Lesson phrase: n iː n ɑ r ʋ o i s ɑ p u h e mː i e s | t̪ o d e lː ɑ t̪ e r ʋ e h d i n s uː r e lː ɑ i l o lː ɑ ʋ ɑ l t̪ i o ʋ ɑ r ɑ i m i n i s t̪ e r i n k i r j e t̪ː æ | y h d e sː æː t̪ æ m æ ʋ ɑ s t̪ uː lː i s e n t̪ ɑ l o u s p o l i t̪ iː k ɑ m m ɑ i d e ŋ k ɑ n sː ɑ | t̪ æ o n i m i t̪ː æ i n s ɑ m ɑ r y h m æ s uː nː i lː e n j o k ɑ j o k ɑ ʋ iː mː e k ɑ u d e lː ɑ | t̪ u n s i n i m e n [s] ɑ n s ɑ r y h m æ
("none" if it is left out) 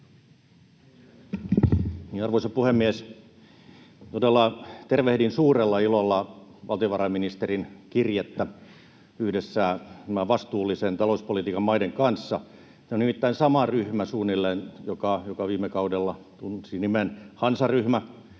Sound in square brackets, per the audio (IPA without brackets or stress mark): h